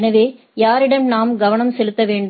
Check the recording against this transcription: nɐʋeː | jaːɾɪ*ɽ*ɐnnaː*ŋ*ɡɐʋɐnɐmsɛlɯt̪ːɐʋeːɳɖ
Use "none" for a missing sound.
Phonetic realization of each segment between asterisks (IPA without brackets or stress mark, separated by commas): ɽ, m